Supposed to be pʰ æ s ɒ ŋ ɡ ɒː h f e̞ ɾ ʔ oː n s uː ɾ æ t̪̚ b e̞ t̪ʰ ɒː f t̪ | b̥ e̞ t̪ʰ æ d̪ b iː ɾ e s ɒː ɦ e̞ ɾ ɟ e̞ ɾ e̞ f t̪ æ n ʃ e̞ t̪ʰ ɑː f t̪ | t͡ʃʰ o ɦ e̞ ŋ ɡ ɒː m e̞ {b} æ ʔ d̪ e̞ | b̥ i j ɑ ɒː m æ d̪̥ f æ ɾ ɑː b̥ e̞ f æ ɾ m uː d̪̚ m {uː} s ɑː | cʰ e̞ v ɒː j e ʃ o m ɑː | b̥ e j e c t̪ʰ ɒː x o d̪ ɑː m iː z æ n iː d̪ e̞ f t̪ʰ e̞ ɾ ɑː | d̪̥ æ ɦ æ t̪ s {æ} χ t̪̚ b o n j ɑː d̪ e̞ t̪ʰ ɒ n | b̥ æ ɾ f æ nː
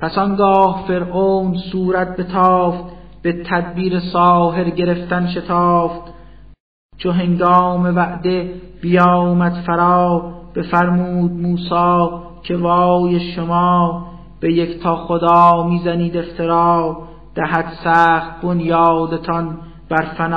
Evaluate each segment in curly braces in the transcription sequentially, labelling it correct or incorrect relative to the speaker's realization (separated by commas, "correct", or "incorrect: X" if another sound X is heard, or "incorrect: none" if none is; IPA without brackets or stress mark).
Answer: incorrect: v, correct, incorrect: æː